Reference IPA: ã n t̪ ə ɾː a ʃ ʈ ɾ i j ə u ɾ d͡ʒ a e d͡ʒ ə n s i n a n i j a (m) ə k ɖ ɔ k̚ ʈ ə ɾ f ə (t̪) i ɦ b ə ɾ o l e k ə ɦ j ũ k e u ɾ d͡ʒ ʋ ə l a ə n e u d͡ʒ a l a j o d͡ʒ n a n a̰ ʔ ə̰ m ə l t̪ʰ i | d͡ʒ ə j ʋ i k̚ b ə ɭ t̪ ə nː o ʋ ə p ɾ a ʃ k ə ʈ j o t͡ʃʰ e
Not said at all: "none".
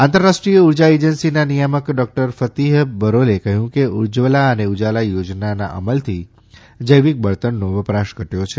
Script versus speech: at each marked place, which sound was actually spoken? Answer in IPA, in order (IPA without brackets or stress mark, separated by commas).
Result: m, t̪